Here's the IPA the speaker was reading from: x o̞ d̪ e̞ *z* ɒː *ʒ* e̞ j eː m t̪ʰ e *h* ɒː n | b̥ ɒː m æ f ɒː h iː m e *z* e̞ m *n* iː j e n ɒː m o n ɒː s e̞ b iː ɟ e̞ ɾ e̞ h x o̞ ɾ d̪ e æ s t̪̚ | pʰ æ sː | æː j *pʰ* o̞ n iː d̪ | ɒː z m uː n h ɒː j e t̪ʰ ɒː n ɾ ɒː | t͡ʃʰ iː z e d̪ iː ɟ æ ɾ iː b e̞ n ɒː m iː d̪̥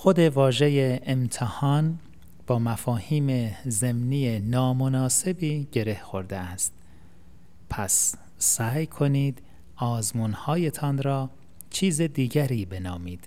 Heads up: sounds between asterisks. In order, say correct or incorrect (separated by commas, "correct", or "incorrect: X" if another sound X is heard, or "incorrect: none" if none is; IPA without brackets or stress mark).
incorrect: v, correct, correct, correct, correct, incorrect: kʰ